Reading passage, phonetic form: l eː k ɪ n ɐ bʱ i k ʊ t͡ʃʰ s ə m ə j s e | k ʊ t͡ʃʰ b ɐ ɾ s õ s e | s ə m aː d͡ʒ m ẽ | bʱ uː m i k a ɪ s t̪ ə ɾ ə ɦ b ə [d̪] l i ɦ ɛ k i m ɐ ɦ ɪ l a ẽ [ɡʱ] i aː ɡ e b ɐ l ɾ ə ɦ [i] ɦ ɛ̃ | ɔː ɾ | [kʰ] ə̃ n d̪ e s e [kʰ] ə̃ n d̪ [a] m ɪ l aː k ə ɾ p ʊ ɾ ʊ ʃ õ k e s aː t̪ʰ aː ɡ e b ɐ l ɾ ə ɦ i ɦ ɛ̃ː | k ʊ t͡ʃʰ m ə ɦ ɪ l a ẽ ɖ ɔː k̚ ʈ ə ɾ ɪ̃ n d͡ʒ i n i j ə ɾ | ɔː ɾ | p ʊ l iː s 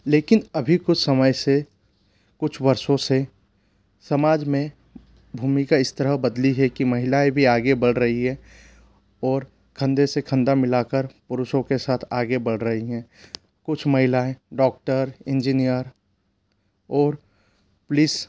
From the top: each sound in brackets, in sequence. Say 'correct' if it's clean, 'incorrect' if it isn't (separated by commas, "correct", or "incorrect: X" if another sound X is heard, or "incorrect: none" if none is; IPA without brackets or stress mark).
correct, incorrect: bʱ, correct, correct, correct, correct